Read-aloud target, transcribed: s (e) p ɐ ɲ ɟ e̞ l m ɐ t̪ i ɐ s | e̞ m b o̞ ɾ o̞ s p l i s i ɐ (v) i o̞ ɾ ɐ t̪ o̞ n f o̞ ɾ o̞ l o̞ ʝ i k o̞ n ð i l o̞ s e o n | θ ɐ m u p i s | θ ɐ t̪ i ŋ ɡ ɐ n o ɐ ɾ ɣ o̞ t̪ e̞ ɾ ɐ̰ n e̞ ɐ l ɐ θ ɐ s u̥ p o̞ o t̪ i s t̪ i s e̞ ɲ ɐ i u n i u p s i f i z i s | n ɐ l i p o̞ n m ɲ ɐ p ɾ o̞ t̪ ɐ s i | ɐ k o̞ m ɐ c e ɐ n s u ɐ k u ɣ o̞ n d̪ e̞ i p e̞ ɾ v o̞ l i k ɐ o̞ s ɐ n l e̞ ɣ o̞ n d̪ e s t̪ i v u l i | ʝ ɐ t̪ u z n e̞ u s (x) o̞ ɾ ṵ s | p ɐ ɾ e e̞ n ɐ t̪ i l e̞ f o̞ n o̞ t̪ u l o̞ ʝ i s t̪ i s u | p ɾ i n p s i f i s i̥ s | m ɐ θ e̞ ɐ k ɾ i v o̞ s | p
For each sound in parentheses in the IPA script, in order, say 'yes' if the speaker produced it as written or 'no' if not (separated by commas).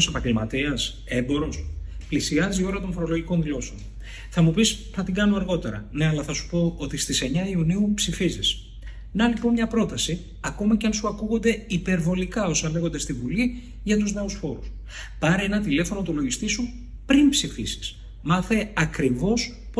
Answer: yes, no, no